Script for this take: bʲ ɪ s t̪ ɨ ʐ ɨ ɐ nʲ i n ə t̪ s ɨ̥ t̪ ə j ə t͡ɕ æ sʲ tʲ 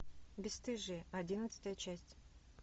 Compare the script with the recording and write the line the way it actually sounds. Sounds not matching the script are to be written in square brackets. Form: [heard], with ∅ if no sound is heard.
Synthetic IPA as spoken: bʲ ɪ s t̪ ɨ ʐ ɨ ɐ [dʲ] i n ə t̪ s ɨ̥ t̪ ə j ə t͡ɕ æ sʲ tʲ